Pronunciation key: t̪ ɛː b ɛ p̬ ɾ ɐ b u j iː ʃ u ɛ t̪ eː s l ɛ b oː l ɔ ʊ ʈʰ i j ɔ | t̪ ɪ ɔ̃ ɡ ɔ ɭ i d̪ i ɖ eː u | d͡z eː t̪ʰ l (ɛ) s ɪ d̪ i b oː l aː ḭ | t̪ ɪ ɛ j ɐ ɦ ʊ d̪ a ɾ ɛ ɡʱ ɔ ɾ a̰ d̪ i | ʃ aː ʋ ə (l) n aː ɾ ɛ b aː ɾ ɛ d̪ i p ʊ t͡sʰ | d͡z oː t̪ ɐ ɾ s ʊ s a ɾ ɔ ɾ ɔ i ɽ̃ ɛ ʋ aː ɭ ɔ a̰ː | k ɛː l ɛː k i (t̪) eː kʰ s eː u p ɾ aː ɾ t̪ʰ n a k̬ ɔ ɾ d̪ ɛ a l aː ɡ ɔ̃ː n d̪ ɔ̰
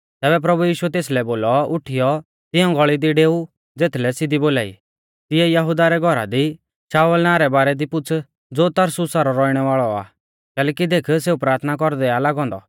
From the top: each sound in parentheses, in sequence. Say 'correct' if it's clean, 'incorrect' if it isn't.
correct, correct, incorrect: d̪

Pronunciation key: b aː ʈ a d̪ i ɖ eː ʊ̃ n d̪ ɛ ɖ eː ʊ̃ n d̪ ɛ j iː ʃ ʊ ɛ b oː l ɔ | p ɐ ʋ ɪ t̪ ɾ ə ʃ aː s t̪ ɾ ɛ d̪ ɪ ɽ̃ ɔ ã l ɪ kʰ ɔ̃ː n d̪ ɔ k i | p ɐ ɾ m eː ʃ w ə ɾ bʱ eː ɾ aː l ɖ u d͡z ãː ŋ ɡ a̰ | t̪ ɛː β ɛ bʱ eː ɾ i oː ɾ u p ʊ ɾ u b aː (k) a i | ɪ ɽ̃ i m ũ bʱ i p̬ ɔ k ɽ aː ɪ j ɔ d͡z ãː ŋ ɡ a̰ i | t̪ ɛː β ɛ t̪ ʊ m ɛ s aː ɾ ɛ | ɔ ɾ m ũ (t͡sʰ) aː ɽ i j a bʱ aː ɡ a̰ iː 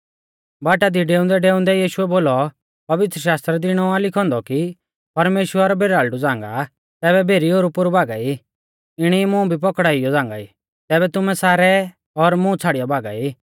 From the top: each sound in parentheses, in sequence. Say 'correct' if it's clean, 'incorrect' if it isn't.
incorrect: ɡ, correct

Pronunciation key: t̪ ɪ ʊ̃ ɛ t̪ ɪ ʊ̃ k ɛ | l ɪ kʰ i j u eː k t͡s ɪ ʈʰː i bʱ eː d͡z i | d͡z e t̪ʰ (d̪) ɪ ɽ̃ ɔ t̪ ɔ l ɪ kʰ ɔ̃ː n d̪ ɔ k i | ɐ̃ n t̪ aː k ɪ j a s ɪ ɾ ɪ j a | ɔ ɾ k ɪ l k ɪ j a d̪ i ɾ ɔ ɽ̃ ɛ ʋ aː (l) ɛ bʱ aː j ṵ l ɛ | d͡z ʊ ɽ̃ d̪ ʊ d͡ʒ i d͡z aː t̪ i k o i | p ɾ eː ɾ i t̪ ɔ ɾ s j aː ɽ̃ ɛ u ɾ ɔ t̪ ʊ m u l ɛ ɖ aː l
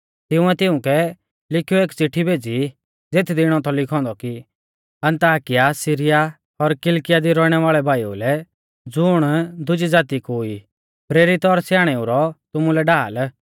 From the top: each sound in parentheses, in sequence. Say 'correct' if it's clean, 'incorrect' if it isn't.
correct, incorrect: ɭ

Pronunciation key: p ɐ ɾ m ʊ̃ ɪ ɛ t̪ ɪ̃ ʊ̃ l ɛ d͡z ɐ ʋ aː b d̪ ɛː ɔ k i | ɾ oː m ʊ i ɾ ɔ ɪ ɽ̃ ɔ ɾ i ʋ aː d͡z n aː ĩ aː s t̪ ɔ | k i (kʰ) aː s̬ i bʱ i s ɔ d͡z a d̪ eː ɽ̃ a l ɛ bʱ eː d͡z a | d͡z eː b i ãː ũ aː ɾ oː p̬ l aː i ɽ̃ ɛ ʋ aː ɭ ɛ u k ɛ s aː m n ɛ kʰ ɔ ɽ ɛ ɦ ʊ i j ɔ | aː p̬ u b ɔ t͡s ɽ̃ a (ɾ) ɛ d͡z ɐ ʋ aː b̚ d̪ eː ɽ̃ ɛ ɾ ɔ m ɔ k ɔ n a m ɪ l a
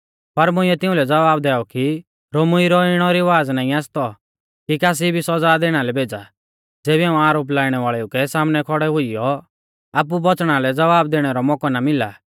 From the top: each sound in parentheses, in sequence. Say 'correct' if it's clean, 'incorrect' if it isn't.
incorrect: k, incorrect: l

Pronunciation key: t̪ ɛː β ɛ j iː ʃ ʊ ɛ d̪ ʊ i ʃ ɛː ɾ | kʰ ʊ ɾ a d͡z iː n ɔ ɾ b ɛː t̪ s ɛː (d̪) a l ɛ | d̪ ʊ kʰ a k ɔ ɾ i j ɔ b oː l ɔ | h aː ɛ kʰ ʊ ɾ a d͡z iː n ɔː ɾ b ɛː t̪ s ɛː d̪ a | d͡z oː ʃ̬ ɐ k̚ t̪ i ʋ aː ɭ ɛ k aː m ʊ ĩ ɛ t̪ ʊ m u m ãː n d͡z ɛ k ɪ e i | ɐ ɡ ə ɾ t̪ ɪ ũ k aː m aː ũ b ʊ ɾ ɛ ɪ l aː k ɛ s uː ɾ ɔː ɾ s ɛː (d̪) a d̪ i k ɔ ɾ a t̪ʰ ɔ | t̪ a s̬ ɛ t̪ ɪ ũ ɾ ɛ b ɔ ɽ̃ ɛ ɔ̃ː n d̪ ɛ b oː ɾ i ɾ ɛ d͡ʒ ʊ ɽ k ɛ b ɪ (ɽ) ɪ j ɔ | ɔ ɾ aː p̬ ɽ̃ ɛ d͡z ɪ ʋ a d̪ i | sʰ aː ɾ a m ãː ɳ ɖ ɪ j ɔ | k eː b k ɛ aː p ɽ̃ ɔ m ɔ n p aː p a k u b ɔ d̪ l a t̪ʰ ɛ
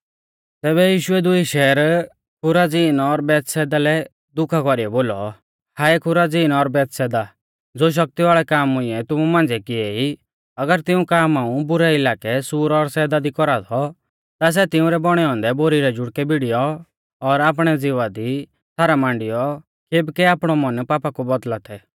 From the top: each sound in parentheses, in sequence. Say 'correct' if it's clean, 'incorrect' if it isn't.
correct, correct, correct

